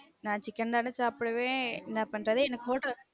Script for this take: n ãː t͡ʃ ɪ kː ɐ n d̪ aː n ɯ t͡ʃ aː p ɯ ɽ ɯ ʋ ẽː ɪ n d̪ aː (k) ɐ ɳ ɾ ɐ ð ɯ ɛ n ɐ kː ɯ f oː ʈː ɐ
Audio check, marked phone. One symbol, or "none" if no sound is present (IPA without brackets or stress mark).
p